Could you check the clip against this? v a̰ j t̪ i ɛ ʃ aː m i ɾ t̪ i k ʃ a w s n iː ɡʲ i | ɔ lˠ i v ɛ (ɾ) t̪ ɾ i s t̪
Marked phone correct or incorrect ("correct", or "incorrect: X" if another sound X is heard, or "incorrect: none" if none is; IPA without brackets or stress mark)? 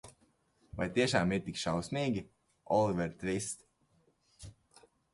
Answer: correct